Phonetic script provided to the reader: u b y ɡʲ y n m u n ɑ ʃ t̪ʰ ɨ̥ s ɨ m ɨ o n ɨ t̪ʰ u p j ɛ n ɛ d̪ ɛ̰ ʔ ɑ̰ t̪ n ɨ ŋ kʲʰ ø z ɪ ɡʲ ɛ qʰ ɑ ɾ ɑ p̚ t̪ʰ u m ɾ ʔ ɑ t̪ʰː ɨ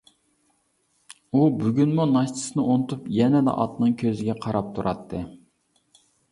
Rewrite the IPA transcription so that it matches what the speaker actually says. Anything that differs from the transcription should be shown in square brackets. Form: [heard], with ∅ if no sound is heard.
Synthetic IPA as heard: u b y ɡʲ y n m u n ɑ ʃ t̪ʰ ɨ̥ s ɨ [n] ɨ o n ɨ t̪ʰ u p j ɛ n ɛ d̪ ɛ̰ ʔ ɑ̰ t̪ n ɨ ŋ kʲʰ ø z ɪ ɡʲ ɛ qʰ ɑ ɾ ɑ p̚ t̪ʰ u [∅] ɾ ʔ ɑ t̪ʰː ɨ